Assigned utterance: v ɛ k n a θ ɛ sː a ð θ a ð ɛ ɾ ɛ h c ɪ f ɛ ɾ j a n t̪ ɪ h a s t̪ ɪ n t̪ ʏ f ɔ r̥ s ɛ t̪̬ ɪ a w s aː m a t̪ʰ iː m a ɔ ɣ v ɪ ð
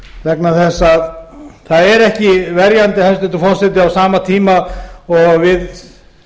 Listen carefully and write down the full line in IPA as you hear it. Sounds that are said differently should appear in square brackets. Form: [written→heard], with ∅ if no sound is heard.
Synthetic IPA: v ɛ k n a θ ɛ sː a ð θ a ð ɛ ɾ ɛ h c ɪ [f→v] ɛ ɾ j a n t̪ ɪ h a s t̪ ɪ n t̪ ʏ f ɔ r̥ s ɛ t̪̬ ɪ a w s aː m a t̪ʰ iː m a ɔ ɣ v ɪ ð